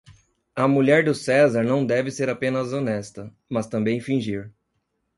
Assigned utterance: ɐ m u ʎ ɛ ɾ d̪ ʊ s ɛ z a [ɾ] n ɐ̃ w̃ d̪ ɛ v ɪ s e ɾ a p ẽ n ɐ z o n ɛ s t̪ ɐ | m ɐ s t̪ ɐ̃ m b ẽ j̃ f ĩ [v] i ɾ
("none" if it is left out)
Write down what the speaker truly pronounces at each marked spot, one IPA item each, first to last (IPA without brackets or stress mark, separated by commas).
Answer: ɾ, ʒ